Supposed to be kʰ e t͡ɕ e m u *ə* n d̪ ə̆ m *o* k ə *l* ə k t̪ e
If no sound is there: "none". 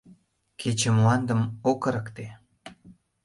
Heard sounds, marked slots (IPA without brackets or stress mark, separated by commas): ɑ, o, ɾ